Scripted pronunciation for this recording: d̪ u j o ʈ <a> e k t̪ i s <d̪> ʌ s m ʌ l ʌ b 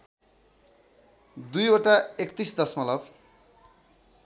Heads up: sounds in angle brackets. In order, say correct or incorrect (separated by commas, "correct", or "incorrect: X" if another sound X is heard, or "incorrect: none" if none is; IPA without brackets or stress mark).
correct, correct